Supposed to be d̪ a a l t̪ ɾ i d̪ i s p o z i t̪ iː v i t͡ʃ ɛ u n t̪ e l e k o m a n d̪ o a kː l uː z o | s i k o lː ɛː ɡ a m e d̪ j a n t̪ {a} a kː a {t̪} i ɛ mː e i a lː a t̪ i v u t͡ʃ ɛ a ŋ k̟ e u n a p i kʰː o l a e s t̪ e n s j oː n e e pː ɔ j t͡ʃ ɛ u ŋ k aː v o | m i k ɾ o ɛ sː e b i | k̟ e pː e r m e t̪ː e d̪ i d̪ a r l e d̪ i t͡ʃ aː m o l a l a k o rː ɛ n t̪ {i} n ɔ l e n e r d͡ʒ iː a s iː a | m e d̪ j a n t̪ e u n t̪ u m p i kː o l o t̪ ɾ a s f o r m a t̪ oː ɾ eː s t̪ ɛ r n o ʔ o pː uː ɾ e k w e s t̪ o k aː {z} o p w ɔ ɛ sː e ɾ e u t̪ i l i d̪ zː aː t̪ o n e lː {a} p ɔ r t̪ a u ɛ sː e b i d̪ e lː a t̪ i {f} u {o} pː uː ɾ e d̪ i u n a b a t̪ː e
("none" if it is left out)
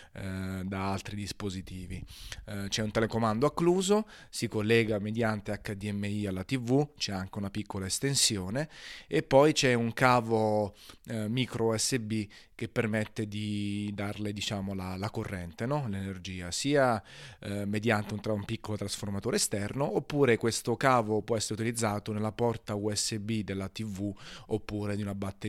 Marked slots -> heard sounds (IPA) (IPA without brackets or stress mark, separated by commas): e, d̪, e, v, a, v, o